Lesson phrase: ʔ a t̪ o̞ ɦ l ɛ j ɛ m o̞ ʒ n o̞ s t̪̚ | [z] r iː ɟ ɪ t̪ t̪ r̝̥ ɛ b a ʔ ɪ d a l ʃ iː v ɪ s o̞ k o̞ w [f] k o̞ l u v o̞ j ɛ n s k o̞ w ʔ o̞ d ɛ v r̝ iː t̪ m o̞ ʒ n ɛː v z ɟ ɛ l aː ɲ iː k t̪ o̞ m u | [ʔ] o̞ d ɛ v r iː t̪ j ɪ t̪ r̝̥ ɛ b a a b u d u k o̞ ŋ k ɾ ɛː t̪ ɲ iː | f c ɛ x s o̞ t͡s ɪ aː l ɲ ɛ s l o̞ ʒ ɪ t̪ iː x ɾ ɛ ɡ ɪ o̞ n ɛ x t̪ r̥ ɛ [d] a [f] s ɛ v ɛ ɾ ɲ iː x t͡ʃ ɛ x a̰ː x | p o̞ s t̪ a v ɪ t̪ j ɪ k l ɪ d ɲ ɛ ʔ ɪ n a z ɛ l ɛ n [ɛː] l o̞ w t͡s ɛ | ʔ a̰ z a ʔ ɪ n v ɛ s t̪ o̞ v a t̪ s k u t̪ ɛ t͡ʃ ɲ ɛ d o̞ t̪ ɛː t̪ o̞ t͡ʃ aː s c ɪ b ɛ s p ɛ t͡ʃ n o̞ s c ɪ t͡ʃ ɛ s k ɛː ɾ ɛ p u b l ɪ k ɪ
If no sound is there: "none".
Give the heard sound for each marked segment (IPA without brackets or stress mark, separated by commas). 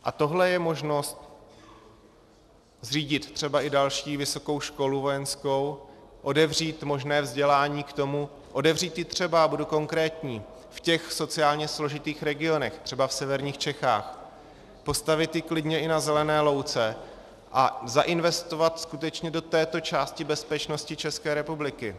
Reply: z, ʃ, ʔ, b, f, ɛː